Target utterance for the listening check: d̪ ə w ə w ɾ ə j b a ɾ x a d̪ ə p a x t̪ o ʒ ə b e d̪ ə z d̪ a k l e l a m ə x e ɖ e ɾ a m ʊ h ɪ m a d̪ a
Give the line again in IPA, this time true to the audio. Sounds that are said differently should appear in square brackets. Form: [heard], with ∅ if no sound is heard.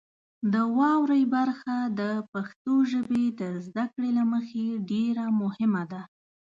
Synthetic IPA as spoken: d̪ ə w [ɑ] w ɾ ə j b a ɾ x a d̪ ə p a x t̪ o ʒ ə b e d̪ ə z d̪ a k [ɽ] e l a m ə x e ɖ e ɾ a m ʊ h ɪ m a d̪ a